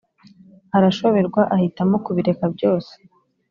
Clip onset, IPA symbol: h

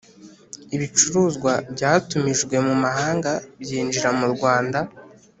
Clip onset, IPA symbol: i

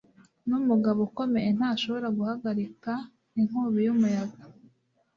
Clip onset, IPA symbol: n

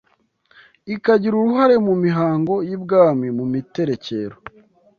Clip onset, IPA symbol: i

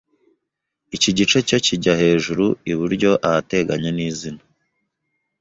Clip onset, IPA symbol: i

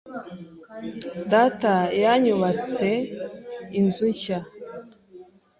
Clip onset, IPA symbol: d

